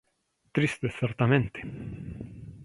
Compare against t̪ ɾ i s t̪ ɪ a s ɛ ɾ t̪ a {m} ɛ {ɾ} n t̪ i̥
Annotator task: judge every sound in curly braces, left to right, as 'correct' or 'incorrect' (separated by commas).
correct, incorrect